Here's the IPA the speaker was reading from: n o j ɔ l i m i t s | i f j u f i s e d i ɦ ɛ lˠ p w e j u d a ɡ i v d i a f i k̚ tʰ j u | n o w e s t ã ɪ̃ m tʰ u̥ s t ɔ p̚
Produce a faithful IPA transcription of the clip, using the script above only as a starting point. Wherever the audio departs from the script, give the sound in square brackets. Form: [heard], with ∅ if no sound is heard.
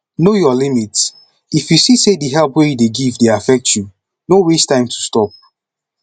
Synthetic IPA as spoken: n o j ɔ l i m i t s | i f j u [s] i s e d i ɦ ɛ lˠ p w e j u d [e] ɡ i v d [e] a f [ɛ] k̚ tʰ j u | n o w e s t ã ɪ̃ m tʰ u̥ s t ɔ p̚